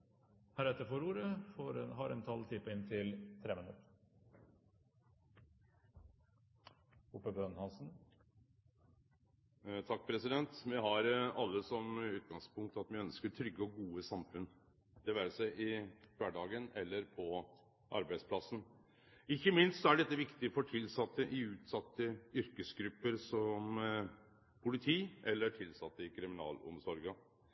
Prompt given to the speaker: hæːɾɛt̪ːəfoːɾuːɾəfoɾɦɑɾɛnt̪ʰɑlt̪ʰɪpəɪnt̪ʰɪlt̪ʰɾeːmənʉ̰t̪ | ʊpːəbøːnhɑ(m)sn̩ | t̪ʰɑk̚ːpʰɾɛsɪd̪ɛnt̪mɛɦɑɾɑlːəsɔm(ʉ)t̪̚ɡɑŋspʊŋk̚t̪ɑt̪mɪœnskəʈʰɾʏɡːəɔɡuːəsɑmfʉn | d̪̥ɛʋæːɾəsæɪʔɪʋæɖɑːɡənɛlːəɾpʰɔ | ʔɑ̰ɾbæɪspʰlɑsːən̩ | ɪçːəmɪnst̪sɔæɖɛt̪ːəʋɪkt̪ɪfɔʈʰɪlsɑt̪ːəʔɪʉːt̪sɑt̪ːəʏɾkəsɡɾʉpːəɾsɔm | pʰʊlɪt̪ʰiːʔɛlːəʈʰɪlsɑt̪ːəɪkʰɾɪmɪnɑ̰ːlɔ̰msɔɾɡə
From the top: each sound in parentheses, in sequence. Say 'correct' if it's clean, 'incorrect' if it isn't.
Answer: incorrect: n, incorrect: ʉː

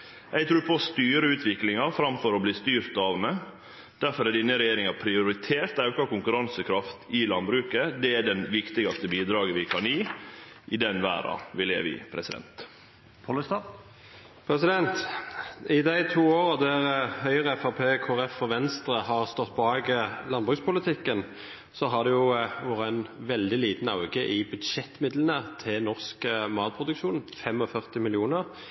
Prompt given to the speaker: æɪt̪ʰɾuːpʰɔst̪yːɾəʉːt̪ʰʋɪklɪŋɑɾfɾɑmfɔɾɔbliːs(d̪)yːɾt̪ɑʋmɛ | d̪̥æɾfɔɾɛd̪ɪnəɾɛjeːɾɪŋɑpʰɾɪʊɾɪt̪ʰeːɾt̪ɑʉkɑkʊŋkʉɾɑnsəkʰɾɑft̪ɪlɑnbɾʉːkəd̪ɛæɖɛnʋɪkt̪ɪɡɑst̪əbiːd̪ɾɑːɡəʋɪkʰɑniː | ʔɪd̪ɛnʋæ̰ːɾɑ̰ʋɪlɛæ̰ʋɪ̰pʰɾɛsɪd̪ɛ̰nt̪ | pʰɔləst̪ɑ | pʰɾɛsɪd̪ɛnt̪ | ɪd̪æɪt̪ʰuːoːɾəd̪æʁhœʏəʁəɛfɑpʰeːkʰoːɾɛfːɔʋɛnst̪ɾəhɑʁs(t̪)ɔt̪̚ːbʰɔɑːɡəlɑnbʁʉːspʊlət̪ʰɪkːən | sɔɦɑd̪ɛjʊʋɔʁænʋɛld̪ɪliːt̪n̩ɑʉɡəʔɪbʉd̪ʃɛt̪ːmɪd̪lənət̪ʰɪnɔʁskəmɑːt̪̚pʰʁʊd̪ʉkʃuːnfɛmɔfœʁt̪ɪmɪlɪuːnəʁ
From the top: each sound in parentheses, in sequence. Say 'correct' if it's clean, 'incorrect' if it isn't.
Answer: incorrect: t̪, correct

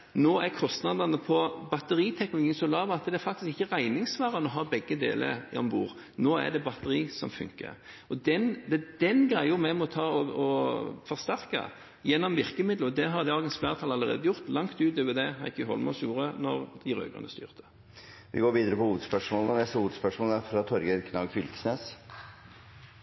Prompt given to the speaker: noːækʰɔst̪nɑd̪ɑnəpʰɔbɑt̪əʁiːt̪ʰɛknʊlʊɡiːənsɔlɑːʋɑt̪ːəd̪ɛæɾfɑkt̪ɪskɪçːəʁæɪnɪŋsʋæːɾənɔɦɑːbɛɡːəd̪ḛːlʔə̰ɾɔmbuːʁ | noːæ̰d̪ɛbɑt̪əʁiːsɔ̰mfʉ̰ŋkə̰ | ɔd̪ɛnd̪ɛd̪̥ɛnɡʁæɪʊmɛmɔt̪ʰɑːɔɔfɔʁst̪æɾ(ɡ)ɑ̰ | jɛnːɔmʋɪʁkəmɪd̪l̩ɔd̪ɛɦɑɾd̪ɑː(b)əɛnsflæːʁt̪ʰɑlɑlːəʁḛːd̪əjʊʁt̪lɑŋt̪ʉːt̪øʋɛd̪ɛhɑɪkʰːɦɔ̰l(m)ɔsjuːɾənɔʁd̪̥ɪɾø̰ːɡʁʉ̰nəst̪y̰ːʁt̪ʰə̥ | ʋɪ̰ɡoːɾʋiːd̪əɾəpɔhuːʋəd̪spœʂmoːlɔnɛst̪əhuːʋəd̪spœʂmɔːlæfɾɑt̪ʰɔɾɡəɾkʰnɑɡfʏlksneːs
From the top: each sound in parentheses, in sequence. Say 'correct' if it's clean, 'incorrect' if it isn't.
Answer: incorrect: k, incorrect: ɡ, correct

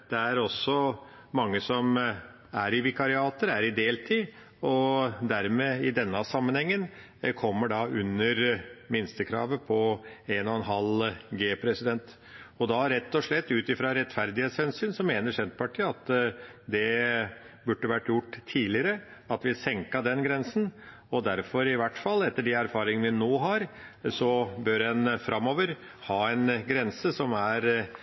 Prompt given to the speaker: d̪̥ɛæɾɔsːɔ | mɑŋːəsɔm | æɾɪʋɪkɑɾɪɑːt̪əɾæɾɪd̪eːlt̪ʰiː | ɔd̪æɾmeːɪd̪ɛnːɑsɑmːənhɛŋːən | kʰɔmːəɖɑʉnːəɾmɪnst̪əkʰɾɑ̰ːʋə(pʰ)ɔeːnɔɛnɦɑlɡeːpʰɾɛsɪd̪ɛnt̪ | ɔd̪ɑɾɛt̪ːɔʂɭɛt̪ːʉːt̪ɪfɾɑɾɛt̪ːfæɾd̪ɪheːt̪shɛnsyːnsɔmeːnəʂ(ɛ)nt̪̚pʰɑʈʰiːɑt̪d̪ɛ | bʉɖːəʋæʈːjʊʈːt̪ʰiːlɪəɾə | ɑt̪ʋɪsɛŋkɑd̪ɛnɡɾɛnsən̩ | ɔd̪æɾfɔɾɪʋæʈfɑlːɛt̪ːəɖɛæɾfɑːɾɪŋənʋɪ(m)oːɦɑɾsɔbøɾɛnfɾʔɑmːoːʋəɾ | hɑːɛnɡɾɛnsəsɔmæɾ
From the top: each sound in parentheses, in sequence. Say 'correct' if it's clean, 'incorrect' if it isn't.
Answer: correct, correct, incorrect: n

